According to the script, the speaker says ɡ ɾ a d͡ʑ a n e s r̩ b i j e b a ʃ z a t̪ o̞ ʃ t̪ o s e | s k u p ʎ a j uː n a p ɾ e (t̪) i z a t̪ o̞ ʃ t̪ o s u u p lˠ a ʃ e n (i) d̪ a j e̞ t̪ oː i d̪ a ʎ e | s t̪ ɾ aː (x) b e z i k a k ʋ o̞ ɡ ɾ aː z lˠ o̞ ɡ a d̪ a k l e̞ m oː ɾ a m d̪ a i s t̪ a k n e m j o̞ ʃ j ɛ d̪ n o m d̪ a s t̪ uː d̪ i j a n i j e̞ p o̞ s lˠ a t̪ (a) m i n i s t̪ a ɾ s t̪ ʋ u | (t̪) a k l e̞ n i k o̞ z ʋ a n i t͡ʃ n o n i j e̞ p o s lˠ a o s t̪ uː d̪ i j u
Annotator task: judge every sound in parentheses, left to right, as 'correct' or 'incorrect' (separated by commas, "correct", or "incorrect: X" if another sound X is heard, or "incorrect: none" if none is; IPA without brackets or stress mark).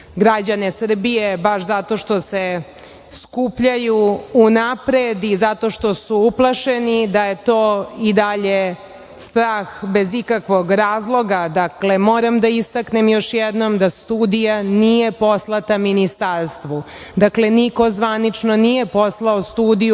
incorrect: d̪, correct, correct, correct, incorrect: d̪